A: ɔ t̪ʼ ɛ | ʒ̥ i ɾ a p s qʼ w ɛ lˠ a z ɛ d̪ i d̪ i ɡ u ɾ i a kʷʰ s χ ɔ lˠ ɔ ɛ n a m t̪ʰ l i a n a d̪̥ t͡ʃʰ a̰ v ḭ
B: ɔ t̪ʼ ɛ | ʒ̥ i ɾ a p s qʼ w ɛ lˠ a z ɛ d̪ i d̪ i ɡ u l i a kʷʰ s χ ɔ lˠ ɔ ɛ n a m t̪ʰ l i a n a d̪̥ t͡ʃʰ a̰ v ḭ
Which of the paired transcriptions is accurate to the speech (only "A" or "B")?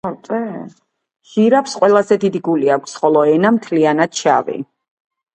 B